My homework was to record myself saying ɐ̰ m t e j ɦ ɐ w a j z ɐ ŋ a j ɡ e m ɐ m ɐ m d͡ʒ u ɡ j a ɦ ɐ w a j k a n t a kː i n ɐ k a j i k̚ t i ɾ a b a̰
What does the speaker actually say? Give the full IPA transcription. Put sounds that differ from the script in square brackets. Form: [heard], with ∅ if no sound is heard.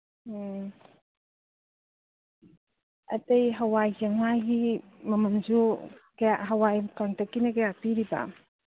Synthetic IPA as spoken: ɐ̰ [∅] t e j ɦ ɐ w a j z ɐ ŋ a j ɡ [i] m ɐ m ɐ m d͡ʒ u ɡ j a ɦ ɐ w a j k a [ŋ] t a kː i n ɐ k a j [a] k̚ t i ɾ [i] b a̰

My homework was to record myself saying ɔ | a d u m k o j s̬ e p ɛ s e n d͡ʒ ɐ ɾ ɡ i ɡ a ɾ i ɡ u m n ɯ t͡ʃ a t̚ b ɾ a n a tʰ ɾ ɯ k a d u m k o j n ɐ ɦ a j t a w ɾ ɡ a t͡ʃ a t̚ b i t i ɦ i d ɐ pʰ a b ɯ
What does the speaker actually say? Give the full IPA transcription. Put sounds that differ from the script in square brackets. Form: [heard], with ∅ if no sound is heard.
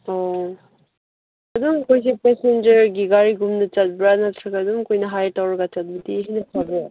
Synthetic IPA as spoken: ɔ | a d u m k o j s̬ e p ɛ s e n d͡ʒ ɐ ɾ ɡ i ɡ a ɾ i ɡ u m n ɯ t͡ʃ a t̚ b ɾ a n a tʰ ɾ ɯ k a d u m k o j n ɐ ɦ a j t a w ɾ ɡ a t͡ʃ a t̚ b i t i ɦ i [n] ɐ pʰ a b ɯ

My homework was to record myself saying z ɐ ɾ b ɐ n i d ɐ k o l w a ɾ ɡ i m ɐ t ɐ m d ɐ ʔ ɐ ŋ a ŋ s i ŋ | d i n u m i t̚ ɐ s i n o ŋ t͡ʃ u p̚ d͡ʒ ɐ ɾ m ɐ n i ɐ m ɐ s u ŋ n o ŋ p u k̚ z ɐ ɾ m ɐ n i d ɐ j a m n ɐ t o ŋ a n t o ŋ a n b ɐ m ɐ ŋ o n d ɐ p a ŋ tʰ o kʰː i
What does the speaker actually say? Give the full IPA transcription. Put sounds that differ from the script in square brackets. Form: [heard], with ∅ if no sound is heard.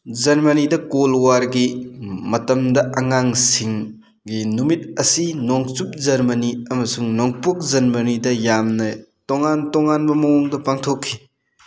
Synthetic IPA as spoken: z ɐ ɾ [m] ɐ n i d ɐ k o l w a ɾ ɡ i m ɐ t ɐ m d ɐ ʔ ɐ ŋ a ŋ s i ŋ | [ɡ] i n u m i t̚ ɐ s i n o ŋ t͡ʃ u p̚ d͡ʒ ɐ ɾ m ɐ n i ɐ m ɐ s u ŋ n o ŋ p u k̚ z ɐ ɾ m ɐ n i d ɐ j a m n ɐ t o ŋ a n t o ŋ a n b ɐ m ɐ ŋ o [ŋ] d ɐ p a ŋ tʰ o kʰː i

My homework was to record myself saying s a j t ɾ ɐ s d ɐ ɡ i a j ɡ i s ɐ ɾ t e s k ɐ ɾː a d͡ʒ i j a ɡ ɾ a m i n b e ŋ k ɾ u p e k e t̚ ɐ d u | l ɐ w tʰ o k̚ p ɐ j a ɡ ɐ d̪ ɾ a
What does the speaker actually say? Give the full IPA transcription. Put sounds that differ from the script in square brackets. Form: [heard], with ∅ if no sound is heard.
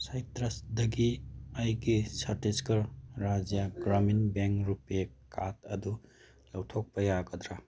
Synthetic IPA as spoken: s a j t ɾ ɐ s d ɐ ɡ i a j ɡ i s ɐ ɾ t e s k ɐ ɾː a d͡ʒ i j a ɡ ɾ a m i n b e ŋ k ɾ u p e k [a] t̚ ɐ d u | l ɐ w tʰ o k̚ p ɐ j a ɡ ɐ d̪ ɾ a

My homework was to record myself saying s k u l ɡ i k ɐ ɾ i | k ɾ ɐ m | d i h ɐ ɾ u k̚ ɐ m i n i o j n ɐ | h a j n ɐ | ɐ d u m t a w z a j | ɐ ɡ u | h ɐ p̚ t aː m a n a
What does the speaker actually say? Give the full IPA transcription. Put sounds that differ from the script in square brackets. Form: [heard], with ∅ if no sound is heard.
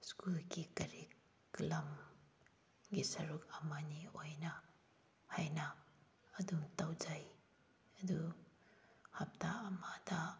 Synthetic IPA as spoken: s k u l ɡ i k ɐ ɾ i | k [l] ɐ m | [ɡ] i [s] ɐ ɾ u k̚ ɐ m [a] n i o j n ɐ | h a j n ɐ | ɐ d u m t a w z a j | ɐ [d] u | h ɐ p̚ t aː m a [d] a

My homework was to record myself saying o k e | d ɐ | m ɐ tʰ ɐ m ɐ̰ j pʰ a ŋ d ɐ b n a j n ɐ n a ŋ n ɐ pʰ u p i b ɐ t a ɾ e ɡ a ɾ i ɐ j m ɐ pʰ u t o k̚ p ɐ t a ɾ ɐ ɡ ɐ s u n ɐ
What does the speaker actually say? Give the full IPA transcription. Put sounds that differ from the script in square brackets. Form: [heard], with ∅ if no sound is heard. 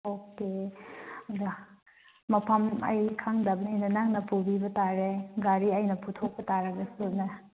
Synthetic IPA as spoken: o k e | d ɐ | m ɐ [pʰ] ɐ m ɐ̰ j [kʰ] a ŋ d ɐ b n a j n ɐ n a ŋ n ɐ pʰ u [b] i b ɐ t a ɾ e ɡ a ɾ i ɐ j [n] ɐ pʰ u [tʰ] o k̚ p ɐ t a ɾ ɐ ɡ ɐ s u n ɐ

